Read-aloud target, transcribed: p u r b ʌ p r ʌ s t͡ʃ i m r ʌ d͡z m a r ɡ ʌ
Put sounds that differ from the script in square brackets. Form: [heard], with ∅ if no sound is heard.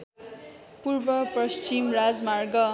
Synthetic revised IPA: p u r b ʌ p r ʌ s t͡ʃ i m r [a] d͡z m a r ɡ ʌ